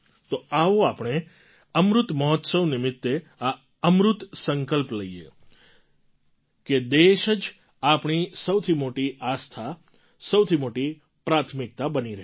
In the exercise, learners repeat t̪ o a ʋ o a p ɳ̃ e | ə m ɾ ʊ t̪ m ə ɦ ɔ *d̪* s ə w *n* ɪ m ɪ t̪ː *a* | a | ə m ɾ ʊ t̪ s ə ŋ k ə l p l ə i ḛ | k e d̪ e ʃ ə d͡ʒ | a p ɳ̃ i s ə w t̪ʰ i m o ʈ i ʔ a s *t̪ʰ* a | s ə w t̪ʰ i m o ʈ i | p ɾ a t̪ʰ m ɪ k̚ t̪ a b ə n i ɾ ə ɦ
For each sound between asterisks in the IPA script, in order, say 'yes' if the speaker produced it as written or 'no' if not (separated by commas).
no, yes, no, yes